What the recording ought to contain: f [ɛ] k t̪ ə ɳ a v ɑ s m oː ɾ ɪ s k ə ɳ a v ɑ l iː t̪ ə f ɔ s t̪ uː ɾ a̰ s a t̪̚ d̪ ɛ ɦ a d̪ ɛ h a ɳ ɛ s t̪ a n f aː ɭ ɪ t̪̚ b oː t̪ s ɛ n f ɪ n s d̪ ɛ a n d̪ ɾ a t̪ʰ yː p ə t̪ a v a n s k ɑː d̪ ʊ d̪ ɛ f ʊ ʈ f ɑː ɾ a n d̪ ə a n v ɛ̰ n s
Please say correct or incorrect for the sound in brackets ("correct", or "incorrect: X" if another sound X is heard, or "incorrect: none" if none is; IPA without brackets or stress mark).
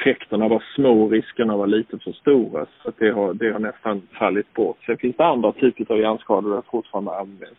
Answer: correct